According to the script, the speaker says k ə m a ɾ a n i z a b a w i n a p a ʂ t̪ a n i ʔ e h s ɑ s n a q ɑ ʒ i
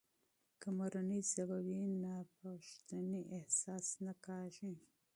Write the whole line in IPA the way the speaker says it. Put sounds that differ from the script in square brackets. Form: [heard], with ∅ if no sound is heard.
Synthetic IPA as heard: k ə m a ɾ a n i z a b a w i n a p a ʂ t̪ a n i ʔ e h s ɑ s n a [k] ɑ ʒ i